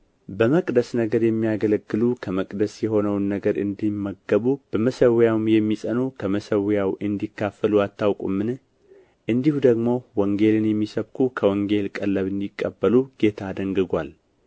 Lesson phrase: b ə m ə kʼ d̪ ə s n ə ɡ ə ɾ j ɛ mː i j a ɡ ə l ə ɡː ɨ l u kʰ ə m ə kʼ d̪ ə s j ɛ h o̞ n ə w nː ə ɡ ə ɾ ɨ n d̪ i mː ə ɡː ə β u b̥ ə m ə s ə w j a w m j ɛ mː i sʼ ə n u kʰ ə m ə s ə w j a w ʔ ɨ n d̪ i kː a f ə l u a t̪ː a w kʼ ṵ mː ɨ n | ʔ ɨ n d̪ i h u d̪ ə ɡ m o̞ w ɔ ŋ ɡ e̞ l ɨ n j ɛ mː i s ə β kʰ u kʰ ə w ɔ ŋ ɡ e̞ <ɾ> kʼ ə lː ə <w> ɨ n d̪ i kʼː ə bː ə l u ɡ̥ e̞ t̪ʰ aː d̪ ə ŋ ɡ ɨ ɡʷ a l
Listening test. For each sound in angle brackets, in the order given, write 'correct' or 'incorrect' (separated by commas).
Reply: incorrect, incorrect